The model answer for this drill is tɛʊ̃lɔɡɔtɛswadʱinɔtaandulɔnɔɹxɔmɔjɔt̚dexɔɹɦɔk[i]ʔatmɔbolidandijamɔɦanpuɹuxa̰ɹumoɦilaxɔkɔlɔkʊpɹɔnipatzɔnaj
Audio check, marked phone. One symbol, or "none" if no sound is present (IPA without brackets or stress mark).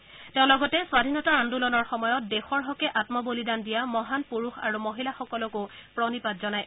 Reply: ɛ